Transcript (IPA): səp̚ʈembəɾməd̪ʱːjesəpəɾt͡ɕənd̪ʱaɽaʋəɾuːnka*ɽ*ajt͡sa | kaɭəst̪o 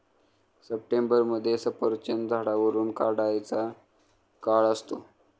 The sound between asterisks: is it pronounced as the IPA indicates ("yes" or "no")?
yes